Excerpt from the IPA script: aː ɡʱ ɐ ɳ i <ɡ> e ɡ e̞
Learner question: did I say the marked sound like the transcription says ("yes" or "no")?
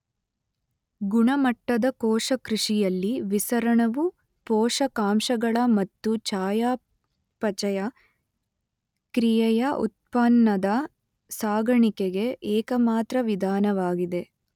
no